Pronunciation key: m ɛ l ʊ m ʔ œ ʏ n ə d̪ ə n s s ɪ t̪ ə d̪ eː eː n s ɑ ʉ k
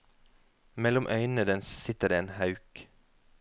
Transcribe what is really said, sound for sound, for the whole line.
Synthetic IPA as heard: m ɛ l ʊ m ʔ œ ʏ n ə d̪ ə n s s ɪ t̪ ə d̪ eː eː n h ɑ ʉ k